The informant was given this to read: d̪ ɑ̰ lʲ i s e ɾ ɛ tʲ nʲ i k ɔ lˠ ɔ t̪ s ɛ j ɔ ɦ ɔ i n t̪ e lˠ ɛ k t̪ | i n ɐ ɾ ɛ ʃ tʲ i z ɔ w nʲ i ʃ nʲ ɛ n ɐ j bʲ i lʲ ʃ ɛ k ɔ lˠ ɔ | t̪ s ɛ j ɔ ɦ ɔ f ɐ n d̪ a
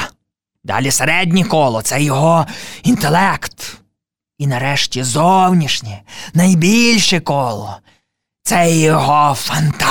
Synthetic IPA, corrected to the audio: d̪ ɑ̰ lʲ i s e ɾ ɛ dʲ nʲ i k ɔ lˠ ɔ t̪ s ɛ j ɔ ɦ ɔ i n t̪ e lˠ ɛ k t̪ | i n ɐ ɾ ɛ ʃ tʲ i z ɔ w nʲ i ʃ nʲ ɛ n ɐ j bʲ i lʲ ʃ ɛ k ɔ lˠ ɔ | t̪ s ɛ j ɔ ɦ ɔ f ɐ n t̪ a